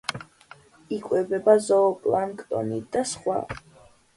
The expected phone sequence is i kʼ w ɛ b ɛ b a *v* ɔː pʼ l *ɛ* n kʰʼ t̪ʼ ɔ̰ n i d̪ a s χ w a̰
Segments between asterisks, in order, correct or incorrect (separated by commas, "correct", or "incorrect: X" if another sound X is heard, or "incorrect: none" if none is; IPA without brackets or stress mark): incorrect: z, incorrect: a